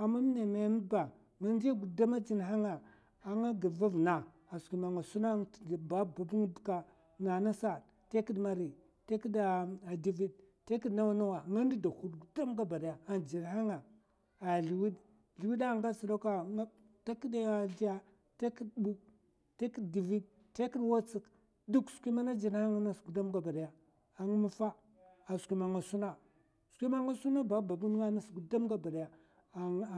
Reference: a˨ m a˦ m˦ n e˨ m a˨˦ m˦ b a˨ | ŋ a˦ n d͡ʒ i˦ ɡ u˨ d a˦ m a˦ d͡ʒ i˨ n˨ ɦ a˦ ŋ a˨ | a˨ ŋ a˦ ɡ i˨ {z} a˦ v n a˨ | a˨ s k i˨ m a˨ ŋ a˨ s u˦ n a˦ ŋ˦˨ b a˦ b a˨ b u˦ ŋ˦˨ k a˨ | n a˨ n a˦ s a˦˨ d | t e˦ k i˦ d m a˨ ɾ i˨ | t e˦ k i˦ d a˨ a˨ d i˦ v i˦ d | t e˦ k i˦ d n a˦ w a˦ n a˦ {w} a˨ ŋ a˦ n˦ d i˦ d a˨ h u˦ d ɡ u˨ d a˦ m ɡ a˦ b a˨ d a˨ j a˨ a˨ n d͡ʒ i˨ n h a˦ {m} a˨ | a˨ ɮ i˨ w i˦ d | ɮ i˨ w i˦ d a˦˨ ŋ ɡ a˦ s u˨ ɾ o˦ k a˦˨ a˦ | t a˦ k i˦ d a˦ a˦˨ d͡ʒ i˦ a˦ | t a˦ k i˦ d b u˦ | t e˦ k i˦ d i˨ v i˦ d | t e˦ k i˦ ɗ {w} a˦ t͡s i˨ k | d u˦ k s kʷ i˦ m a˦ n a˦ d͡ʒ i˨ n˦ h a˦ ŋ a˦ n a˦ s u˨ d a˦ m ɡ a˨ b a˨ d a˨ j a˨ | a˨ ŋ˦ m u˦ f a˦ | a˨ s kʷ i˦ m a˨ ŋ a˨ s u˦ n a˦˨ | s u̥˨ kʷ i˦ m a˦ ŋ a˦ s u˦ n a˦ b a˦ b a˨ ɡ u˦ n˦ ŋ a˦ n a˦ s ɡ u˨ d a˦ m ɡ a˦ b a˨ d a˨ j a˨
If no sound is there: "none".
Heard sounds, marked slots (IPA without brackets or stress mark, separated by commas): v, w, ŋ, w